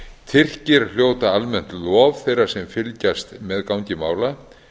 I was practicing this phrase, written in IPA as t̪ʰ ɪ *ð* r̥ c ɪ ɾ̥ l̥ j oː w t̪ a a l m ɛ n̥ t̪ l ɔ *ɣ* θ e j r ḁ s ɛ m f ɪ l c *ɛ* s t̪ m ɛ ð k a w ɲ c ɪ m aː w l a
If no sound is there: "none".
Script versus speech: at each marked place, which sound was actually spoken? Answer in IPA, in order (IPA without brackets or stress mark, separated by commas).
none, v, a